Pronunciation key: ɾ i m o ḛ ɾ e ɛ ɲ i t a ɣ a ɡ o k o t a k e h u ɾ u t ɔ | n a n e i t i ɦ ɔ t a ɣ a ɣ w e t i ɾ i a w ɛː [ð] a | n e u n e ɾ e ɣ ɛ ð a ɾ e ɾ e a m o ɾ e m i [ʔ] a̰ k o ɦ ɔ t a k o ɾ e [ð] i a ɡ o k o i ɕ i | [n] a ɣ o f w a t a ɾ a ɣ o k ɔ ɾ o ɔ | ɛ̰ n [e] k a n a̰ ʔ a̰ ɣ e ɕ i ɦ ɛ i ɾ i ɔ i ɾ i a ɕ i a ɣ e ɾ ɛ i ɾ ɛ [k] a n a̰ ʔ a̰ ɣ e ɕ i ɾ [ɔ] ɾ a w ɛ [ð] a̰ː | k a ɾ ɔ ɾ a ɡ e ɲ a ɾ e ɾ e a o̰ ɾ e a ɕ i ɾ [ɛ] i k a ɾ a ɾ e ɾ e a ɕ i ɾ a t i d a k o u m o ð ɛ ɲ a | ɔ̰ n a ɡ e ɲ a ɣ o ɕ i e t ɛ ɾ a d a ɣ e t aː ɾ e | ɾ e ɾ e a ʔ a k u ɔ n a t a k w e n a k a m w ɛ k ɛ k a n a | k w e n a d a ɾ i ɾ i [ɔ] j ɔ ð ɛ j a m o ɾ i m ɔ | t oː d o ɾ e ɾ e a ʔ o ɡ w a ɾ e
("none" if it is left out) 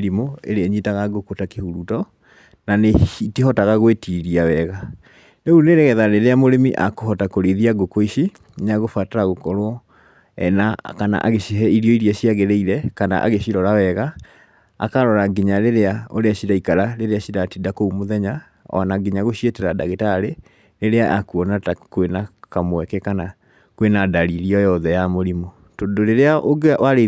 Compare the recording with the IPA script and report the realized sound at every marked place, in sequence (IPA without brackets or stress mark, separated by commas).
ɣ, ʔ, ð, n, a, k, ɔ, ɣ, a, ɔ